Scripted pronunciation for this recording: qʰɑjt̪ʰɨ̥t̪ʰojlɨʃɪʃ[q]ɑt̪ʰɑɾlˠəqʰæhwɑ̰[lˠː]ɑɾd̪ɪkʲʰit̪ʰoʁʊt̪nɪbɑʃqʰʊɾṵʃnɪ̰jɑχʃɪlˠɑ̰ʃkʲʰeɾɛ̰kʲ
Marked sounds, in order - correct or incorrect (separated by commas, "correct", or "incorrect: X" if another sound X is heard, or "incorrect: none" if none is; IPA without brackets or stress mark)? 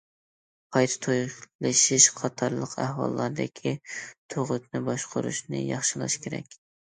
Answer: incorrect: qʰ, correct